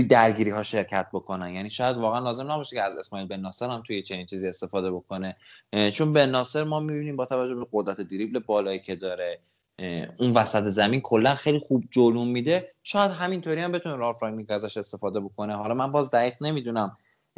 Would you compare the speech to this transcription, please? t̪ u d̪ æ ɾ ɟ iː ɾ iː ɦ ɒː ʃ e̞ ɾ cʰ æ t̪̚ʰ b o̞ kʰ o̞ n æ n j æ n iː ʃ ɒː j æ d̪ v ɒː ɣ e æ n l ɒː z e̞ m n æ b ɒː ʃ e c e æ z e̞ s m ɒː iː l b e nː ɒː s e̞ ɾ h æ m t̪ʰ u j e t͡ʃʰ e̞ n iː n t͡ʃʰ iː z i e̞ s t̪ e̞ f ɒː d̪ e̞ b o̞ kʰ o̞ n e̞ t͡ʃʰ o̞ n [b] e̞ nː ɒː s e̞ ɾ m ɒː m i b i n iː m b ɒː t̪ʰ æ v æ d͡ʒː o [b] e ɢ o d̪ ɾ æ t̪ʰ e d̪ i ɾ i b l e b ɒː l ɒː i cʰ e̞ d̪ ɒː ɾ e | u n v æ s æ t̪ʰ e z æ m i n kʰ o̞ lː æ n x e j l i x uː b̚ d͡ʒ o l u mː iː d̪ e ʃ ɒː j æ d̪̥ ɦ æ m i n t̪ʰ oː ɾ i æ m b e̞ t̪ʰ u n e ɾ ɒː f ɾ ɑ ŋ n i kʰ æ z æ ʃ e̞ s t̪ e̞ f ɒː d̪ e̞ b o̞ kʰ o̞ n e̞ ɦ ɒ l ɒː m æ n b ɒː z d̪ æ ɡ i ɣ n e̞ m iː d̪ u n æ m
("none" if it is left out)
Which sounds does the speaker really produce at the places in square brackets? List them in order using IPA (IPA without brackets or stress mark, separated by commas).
b, b